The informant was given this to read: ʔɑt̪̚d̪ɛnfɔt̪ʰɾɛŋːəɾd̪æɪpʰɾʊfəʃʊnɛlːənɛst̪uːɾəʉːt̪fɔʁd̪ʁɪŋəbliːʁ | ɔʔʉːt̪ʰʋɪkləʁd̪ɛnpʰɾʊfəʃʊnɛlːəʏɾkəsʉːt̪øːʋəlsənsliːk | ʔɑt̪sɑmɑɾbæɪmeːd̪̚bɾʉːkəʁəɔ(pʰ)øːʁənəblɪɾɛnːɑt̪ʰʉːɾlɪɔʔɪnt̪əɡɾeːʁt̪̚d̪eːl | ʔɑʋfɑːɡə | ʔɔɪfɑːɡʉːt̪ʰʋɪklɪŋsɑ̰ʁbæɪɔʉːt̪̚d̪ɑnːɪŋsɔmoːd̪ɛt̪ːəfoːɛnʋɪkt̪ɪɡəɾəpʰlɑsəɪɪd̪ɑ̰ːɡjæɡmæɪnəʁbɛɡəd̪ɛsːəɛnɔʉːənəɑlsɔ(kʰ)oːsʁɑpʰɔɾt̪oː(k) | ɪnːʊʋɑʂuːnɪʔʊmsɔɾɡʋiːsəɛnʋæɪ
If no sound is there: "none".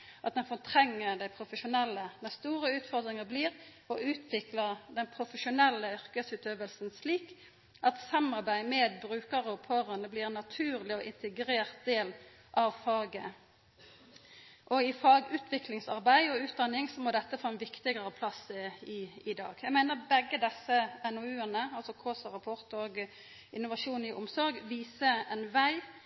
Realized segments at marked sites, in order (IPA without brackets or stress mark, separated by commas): pʰ, kʰ, ɡ